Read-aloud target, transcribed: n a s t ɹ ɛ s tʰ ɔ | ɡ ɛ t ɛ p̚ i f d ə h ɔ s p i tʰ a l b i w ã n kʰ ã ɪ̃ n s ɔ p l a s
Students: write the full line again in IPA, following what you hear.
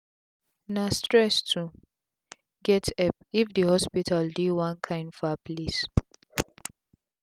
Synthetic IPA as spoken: n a s t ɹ ɛ s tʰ u | ɡ ɛ t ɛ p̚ i f d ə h ɔ s p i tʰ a l d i w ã n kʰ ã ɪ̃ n f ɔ p l i s

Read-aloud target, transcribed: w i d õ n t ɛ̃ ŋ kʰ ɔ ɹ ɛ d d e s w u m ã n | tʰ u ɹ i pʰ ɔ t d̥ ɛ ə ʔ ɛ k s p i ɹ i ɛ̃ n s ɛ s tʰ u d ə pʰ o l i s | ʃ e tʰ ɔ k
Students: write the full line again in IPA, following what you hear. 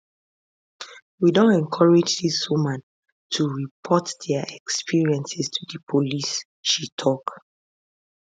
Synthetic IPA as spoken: w i d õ n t ɛ̃ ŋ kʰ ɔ ɹ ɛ d͡ʒ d i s w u m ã n | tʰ u ɹ i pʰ ɔ t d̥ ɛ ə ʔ ɛ k s p i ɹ i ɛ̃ n s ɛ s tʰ u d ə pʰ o l i s | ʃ i tʰ ɔ k

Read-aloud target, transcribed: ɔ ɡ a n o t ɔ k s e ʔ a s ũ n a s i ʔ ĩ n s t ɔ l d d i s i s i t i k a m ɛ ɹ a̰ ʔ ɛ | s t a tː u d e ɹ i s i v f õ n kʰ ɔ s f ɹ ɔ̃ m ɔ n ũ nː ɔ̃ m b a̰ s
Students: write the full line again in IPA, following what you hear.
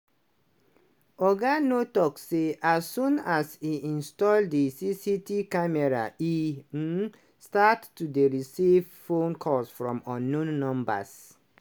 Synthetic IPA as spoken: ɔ ɡ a n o t ɔ k s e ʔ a s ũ n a s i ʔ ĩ n s t ɔ l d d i s i s i t i k a m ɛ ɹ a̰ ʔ i | s t a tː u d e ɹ i s i v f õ n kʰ ɔ s f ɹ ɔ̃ m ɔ n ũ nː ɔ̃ m b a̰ s

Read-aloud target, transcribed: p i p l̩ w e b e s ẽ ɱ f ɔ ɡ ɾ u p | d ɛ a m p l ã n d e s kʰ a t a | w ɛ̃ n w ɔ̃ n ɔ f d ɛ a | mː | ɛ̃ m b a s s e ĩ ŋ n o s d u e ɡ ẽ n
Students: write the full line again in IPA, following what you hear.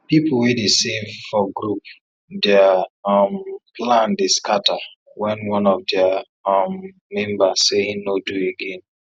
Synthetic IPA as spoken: p i p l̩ w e d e s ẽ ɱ f ɔ ɡ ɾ u p | d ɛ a m p l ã n d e s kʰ a t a | w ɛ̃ n w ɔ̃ n ɔ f d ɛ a | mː | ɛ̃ m b a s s e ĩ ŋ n o d u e ɡ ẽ n

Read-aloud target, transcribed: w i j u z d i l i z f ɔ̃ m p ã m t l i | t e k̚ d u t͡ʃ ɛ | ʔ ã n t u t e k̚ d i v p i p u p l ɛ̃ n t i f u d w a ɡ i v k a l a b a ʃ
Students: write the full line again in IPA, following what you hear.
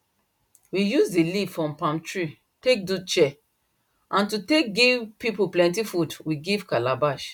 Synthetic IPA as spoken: w i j u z d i l i v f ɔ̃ m p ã m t ɹ i | t e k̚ d u t͡ʃ ɛ | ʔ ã n t u t e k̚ ɡ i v p i p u p l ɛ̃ n t i f u d w i ɡ i v k a l a b a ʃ

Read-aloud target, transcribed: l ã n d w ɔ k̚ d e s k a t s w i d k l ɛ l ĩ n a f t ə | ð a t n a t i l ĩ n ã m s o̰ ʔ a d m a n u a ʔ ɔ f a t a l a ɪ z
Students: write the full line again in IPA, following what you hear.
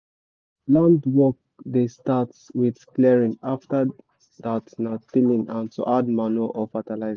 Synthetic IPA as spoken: l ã n d w ɔ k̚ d e s t a t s w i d k l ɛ ɹ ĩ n a f t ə | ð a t n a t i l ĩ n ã n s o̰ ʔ a d m a n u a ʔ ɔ f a t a l a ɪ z

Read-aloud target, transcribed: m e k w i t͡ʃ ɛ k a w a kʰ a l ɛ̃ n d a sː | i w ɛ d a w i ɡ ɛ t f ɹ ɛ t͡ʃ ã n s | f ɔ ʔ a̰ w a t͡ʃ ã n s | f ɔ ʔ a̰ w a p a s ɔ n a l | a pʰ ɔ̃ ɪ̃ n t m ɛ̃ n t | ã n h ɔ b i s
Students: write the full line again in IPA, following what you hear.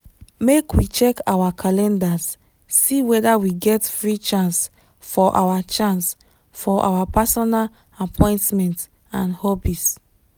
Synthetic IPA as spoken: m e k w i t͡ʃ ɛ k a w a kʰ a l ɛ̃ n d a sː | i w ɛ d a w i ɡ ɛ t f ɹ i t͡ʃ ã n s | f ɔ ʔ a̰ w a t͡ʃ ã n s | f ɔ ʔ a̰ w a p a s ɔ n a l | a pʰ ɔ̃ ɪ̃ n t m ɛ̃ n t | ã n h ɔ b i s

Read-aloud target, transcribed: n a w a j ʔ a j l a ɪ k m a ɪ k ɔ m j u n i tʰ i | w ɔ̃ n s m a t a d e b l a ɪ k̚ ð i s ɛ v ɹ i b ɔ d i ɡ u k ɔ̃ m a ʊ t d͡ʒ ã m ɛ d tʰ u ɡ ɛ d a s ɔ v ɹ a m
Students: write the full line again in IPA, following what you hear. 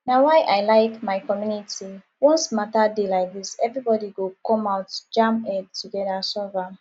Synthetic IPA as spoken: n a w a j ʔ a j l a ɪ k m a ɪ k ɔ m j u n i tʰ i | w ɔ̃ n s m a t a d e l a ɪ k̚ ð i s ɛ v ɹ i b ɔ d i ɡ o k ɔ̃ m a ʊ t d͡ʒ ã m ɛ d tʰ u ɡ ɛ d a s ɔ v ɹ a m

